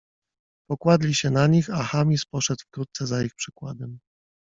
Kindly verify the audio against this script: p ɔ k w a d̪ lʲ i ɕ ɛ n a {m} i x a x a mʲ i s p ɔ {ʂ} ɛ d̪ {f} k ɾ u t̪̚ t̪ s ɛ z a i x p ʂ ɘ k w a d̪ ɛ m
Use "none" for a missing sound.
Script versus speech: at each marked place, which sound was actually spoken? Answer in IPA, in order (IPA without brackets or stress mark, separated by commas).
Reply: ɲ, ʂ, f